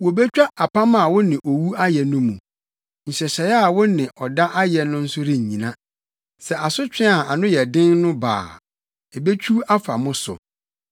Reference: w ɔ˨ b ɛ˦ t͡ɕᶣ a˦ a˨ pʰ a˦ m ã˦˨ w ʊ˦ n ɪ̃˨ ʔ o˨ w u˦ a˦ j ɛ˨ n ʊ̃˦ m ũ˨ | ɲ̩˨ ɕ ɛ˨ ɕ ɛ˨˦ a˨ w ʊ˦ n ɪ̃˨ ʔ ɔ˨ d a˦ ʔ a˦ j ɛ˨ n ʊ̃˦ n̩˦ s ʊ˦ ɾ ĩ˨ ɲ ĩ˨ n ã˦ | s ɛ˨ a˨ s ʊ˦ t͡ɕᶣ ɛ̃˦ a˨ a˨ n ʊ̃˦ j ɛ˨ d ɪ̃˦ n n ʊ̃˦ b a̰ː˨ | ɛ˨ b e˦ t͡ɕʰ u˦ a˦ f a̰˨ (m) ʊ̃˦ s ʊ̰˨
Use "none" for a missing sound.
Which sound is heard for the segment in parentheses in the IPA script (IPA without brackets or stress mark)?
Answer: m